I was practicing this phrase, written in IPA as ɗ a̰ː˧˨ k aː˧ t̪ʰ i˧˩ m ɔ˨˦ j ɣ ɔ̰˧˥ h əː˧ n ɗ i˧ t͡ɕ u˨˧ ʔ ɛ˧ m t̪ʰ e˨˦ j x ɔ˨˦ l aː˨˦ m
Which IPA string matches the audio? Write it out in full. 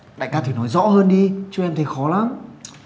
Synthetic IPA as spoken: ɗ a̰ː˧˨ k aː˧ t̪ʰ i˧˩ n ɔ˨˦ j z ɔ̰˧˥ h əː˧ n ɗ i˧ t͡ɕ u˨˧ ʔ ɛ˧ m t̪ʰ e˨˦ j x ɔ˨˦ l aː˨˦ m